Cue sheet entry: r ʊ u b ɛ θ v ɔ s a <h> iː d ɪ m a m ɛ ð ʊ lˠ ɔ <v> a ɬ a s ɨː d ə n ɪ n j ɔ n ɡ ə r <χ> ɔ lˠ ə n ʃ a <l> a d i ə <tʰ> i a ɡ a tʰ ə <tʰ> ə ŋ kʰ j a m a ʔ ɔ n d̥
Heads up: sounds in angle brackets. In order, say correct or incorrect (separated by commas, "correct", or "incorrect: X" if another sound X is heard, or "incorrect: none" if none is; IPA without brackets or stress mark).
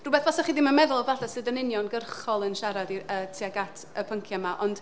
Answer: incorrect: χ, correct, correct, incorrect: ɾ, correct, incorrect: pʰ